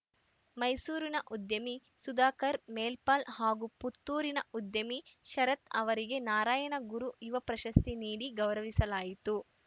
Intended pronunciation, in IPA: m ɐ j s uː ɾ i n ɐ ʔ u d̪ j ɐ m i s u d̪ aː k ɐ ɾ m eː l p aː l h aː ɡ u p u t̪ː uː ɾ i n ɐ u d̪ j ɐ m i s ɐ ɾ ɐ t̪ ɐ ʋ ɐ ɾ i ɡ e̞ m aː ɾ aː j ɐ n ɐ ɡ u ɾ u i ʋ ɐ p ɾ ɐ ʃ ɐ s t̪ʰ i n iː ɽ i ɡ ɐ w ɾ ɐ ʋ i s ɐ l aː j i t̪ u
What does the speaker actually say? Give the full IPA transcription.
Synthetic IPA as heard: m ɐ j s uː ɾ i n ɐ ʔ u d̪ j ɐ m i s u d̪ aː k ɐ ɾ m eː l p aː l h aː ɡ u p u t̪ː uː ɾ i n ɐ u d̪ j ɐ m i ʃ ɐ ɾ ɐ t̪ ɐ ʋ ɐ ɾ i ɡ e̞ n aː ɾ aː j ɐ n ɐ ɡ u ɾ u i ʋ ɐ p ɾ ɐ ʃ ɐ s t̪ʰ i n iː ɽ i ɡ ɐ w ɾ ɐ ʋ i s ɐ l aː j i t̪ u